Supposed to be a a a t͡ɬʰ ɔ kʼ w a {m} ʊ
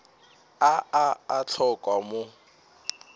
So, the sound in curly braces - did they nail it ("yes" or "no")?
yes